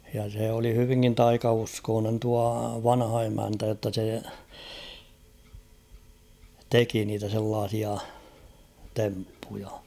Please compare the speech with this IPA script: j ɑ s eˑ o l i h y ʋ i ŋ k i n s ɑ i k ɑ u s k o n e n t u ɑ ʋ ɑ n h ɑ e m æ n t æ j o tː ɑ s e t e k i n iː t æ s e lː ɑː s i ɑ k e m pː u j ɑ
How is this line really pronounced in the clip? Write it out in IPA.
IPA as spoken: j ɑ s eˑ o l i h y ʋ i ŋ k i n t ɑ i k ɑ u s k oː n e n t u ɑ ʋ ɑ n h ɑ e m æ n t æ j o tː ɑ s e t e k i n iː t æ s e lː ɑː s i ɑ t e m pː u j ɑ